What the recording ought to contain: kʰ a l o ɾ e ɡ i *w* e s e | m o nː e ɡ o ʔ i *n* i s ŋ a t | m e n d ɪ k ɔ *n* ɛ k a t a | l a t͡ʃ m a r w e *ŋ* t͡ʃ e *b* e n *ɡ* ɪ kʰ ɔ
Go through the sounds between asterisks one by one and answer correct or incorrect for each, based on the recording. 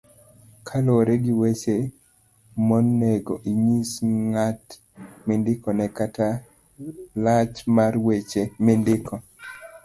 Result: correct, incorrect, correct, incorrect, incorrect, incorrect

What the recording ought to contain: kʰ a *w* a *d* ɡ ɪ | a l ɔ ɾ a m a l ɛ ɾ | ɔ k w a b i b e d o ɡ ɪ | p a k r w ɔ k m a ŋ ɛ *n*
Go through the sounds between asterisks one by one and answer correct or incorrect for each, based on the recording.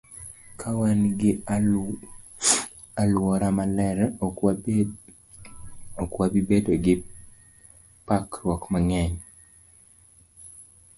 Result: correct, incorrect, incorrect

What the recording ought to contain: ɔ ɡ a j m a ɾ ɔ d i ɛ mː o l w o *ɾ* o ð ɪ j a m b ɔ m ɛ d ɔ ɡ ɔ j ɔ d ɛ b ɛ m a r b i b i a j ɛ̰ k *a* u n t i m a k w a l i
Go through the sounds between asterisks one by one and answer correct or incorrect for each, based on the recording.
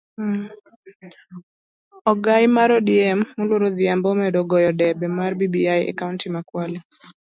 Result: correct, correct

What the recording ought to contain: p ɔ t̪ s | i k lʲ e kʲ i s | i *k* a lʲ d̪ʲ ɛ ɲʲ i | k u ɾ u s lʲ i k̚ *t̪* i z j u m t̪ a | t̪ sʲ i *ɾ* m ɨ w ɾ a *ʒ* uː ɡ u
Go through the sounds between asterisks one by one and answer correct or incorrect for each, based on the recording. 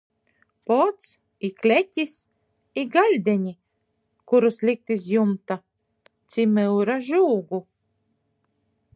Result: incorrect, correct, incorrect, correct

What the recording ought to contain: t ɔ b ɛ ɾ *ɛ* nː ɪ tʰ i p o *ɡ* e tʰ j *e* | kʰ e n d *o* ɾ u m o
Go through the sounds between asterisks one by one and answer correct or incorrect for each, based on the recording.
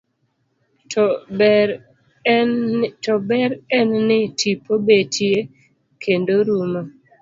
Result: correct, incorrect, correct, correct

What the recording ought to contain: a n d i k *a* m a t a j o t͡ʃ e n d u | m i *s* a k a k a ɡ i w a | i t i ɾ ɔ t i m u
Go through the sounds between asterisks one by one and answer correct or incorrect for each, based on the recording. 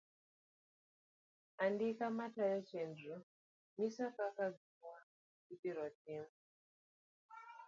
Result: correct, correct

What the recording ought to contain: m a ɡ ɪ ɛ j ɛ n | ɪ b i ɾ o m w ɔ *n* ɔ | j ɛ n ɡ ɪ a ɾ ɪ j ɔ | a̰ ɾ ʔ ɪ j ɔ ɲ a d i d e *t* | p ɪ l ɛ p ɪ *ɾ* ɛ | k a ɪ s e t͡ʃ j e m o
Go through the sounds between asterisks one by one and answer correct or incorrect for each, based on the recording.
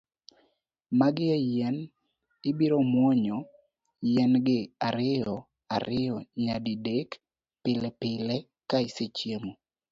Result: incorrect, incorrect, incorrect

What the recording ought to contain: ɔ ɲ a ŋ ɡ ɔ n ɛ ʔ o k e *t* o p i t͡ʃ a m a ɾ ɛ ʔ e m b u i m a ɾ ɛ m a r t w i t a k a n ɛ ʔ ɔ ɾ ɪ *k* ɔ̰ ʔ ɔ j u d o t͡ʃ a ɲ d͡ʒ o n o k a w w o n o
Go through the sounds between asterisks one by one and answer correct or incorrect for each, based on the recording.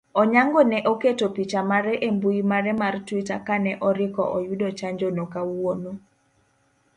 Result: correct, correct

